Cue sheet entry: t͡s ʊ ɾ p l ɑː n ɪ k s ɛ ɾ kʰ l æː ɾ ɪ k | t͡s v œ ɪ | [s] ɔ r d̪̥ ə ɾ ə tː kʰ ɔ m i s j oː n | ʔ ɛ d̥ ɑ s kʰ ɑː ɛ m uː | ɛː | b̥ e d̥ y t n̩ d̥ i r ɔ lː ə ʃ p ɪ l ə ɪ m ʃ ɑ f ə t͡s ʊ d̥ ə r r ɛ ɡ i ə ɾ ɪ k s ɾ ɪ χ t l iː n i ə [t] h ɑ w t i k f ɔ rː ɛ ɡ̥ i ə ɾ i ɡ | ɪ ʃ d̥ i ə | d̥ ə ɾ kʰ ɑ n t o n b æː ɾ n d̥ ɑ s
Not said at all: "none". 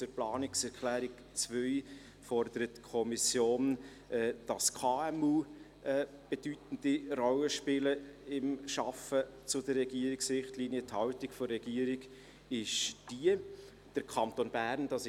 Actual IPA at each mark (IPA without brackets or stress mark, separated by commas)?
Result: f, t